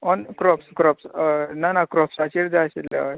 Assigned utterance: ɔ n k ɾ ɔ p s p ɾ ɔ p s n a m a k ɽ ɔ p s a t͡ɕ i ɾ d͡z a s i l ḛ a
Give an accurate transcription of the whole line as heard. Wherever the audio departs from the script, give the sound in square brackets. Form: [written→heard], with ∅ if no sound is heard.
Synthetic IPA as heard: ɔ n k ɾ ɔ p s [p→k] ɾ ɔ p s n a [m→n] a k [ɽ→ɾ] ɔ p s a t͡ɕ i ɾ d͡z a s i l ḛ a